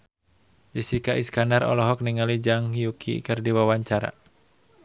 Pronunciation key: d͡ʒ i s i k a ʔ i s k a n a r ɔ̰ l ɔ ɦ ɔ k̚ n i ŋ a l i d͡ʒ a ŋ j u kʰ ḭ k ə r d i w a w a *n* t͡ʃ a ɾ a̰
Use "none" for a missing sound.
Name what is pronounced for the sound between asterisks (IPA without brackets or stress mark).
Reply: ɲ